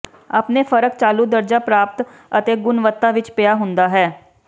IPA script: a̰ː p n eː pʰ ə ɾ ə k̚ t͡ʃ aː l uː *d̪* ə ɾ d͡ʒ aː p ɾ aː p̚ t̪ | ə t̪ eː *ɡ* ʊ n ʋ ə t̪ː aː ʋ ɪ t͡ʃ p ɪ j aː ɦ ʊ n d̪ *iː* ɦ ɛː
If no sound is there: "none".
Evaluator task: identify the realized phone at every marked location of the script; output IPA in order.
d̪, ɡ, aː

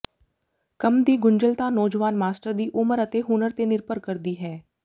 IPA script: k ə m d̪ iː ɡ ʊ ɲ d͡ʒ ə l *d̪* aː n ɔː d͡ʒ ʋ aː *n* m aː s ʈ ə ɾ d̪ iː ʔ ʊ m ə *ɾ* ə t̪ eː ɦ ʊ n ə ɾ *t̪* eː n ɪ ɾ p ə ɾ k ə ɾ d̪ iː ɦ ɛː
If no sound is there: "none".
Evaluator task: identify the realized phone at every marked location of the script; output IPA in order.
t̪, n, ɾ, t̪

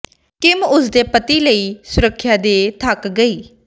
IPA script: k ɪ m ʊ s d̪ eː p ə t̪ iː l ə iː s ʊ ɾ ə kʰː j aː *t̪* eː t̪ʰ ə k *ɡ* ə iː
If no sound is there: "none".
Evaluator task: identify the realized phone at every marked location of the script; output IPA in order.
d̪, ɡ

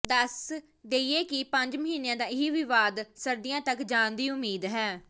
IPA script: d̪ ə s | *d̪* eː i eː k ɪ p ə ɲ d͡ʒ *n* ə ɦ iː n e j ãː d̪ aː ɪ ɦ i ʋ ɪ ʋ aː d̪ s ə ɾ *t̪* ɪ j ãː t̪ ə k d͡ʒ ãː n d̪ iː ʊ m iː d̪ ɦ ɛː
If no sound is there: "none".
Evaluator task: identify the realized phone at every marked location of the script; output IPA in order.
d̪, m, d̪

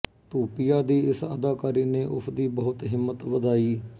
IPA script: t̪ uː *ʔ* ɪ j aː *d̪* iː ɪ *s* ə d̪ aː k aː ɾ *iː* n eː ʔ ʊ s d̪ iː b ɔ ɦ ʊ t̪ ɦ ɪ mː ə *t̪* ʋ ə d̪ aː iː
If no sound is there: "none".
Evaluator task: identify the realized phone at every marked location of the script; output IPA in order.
p, d̪, s, iː, t̪

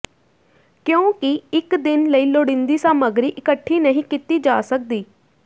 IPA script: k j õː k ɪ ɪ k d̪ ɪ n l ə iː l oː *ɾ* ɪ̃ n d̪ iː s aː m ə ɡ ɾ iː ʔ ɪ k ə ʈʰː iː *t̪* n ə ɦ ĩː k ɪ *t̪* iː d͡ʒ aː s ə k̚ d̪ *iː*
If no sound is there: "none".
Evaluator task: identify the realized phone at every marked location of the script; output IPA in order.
ɽ, none, t̪, iː

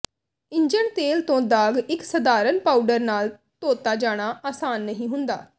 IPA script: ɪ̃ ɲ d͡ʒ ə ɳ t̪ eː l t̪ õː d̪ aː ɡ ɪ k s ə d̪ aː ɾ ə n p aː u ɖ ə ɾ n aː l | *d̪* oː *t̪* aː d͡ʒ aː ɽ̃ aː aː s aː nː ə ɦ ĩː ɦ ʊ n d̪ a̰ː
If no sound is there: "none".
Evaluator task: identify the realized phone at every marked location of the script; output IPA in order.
t̪, t̪

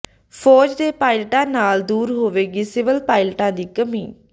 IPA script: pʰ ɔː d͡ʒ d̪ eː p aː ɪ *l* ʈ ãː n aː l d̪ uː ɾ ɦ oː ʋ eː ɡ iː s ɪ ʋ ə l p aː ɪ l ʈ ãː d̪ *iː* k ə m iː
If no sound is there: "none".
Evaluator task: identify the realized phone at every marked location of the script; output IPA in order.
l, iː

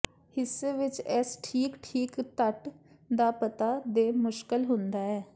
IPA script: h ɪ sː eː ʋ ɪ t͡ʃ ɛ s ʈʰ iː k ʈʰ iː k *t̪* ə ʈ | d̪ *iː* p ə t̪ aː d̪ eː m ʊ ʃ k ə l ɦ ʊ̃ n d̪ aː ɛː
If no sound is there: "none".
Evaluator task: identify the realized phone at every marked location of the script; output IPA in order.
t̪, aː

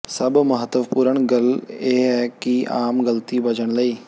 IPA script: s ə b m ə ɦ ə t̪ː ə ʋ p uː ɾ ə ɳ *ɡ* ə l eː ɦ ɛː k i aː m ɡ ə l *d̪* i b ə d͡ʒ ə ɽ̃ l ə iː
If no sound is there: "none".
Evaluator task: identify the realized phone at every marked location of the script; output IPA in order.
ɡ, t̪

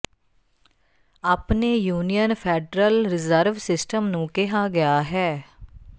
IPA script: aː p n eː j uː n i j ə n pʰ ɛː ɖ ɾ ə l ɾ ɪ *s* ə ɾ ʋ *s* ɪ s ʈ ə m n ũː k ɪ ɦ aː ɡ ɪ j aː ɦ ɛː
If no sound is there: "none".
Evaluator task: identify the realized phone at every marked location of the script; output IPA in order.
z, s

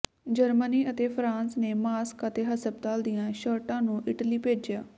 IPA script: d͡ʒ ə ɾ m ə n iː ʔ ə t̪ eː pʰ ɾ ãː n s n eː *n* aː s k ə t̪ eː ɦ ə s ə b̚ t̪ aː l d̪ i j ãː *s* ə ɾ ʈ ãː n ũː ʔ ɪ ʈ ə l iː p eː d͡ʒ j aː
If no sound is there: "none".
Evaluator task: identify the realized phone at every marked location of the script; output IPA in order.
m, ʃ

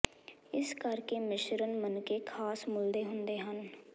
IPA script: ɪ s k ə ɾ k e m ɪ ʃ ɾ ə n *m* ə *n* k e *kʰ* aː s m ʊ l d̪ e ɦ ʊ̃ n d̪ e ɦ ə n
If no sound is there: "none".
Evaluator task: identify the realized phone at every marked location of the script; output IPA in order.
m, n, kʰ

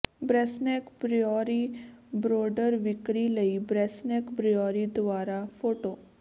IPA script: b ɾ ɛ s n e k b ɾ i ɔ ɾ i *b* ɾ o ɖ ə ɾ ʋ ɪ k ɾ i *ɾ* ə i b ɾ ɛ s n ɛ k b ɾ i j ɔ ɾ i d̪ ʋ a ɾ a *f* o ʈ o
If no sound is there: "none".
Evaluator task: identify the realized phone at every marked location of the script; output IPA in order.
b, l, f

